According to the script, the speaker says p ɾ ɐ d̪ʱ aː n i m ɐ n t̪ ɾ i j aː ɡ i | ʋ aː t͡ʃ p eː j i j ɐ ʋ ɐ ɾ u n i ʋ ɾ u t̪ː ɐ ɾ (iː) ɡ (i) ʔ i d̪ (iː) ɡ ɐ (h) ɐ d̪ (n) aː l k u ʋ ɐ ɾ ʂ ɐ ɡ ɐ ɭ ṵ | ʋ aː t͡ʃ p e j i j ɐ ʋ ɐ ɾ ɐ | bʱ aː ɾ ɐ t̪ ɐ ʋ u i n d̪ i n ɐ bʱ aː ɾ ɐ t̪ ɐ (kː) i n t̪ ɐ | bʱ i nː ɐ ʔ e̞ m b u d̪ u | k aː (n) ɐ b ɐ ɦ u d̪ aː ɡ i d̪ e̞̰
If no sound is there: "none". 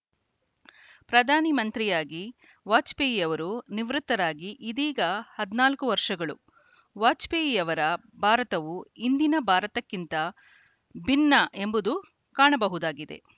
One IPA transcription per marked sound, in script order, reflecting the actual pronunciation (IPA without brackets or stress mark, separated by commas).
aː, i, iː, h, n, kː, ɳ